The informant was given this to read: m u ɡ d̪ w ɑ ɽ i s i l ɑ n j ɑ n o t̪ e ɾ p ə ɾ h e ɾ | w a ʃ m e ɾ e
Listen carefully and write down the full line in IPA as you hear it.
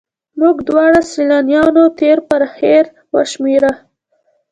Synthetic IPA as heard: m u ɡ d̪ w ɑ ɽ a s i l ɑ n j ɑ n o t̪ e ɾ p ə ɾ h e ɾ | w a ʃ m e ɾ a